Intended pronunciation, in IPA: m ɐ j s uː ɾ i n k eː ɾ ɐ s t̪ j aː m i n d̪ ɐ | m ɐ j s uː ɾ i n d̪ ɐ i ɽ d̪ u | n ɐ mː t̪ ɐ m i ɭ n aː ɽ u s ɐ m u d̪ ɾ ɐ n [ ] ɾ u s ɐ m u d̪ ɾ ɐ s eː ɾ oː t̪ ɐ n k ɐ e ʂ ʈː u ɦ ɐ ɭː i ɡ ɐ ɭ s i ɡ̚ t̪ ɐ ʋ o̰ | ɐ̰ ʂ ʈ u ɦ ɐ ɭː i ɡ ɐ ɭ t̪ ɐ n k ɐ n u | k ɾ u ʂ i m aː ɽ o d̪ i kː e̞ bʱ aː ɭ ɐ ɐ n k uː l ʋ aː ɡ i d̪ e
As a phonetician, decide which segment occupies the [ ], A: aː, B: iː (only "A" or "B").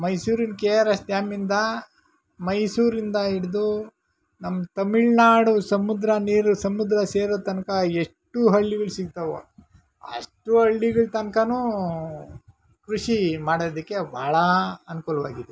B